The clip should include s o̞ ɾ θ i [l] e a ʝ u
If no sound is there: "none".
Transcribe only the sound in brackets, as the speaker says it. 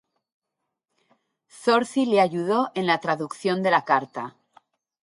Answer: l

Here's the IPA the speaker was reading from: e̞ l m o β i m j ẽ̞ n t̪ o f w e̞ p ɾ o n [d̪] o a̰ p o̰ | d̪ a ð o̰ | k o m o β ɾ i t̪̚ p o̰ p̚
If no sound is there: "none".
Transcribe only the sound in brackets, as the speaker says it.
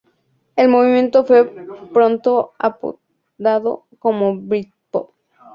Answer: t̪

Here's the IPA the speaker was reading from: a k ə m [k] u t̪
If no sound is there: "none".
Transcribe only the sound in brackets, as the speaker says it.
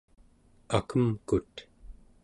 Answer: k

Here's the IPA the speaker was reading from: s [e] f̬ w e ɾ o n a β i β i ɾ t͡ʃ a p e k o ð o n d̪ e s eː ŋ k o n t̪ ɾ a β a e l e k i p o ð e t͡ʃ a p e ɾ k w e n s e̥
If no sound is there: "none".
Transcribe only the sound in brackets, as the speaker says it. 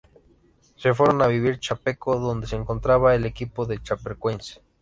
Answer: e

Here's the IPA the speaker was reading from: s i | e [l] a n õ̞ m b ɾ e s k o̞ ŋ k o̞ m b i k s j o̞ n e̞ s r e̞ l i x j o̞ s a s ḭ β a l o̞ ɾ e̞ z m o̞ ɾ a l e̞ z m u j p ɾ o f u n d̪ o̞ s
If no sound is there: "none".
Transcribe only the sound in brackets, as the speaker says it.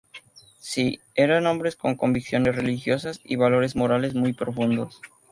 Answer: ɾ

